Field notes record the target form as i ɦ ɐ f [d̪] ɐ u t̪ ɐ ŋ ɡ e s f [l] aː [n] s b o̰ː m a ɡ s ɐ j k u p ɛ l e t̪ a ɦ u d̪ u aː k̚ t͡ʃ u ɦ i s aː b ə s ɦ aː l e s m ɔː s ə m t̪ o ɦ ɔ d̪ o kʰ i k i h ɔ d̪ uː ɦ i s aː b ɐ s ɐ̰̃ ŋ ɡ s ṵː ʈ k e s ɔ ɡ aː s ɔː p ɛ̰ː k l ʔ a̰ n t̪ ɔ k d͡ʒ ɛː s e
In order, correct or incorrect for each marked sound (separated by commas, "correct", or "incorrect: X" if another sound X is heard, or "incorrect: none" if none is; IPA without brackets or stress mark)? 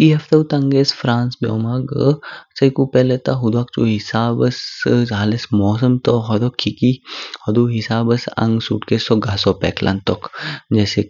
incorrect: t̪, incorrect: ɾ, correct